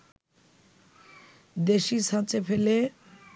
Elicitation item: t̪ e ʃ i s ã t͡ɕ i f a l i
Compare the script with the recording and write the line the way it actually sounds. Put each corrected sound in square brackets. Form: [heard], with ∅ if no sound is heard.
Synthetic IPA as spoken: [d̪] e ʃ i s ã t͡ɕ [e] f [e] l [e]